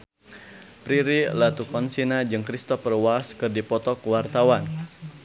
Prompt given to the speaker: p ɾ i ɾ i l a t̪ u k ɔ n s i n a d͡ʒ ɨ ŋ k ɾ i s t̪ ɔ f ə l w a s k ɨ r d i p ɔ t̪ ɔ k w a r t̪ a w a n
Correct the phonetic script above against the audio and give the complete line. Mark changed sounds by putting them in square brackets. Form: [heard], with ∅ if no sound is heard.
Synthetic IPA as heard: p ɾ i ɾ i l a t̪ u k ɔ n s i n a d͡ʒ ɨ ŋ k ɾ i s t̪ ɔ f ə [r] w a s k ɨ r d i p ɔ t̪ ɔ k w a r t̪ a w a n